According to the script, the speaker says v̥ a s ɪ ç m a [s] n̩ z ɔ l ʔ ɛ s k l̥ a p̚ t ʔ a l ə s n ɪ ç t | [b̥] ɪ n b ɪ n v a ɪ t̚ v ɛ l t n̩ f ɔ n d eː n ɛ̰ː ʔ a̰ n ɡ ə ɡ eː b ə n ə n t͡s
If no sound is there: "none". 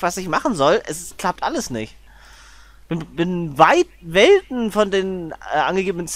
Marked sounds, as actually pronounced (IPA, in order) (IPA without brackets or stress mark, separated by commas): χ, b̥